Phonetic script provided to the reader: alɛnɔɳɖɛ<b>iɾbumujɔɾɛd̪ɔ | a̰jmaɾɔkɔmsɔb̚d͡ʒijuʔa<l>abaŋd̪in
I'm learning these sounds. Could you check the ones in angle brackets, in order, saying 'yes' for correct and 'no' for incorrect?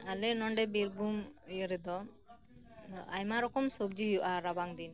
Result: yes, no

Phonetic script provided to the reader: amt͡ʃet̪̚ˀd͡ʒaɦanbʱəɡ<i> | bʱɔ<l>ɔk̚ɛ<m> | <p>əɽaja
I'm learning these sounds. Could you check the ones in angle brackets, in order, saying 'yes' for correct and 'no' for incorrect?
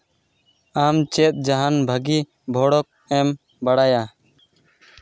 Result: yes, no, yes, no

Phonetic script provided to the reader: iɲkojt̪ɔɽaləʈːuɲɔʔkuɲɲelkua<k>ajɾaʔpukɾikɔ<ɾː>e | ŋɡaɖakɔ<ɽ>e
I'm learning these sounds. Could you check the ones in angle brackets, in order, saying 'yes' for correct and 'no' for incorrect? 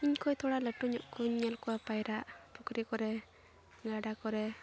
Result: no, no, no

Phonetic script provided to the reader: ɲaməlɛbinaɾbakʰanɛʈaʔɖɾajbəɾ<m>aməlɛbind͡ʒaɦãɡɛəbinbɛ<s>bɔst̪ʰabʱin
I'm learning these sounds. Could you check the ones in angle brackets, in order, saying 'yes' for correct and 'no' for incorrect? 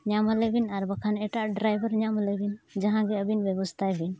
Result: no, no

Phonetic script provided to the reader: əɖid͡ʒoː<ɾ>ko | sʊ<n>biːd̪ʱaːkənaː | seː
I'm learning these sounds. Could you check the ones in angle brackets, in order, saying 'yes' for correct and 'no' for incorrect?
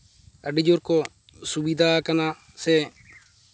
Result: yes, no

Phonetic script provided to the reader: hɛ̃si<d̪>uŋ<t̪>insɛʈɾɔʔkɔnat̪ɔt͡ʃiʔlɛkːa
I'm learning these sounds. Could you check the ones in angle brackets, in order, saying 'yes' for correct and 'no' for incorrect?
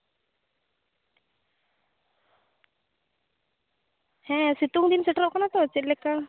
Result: no, no

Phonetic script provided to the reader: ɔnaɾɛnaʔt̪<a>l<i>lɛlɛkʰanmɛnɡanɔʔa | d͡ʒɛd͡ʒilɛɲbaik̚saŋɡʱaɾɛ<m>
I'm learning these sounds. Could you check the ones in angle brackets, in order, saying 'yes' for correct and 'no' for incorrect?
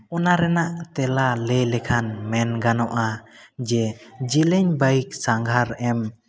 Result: no, no, yes

